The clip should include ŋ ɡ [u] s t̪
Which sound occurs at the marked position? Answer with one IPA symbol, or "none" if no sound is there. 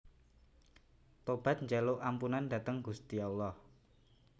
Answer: u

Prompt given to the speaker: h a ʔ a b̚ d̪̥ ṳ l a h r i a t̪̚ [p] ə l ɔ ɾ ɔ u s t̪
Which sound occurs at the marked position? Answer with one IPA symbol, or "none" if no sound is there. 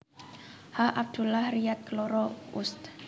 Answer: k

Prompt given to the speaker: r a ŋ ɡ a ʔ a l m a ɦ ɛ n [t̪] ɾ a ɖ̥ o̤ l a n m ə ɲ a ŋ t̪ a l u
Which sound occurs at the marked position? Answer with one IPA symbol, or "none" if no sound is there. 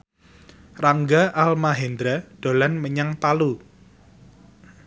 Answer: d̪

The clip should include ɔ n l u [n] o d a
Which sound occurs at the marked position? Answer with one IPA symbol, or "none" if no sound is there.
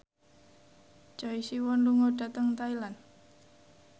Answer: ŋ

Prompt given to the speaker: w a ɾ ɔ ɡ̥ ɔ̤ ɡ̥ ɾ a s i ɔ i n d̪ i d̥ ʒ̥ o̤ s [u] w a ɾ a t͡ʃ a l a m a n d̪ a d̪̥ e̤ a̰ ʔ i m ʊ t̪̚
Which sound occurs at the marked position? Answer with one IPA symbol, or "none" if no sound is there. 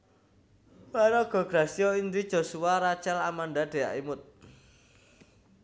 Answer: u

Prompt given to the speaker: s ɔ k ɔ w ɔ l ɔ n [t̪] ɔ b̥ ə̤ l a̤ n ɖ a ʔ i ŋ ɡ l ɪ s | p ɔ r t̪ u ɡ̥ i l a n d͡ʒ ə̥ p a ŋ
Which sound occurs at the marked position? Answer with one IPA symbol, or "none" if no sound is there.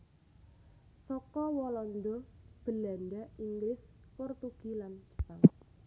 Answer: d̪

